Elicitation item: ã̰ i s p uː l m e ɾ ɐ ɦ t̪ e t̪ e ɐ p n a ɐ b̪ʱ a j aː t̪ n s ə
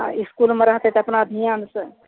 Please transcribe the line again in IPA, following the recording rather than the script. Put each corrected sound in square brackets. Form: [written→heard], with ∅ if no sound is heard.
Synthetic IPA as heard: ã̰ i s [p→k] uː l m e ɾ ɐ ɦ t̪ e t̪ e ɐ p n a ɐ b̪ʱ [a→i] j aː [t̪→∅] n s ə